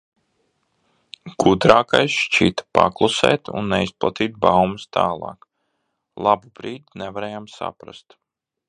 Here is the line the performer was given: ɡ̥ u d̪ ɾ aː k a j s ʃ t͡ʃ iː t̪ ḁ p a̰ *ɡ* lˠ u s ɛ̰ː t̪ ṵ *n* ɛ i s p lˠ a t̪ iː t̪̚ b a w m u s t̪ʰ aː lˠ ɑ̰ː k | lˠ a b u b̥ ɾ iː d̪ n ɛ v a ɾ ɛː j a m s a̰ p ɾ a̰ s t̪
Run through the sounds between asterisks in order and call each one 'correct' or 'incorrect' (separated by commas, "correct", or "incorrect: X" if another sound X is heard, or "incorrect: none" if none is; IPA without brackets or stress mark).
incorrect: k, incorrect: nː